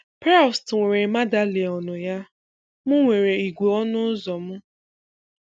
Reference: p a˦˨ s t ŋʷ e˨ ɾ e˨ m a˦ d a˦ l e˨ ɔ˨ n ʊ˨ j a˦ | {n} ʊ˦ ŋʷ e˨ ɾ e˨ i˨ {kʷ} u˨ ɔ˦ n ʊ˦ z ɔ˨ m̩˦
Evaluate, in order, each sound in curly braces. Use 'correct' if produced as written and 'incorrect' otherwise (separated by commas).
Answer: incorrect, incorrect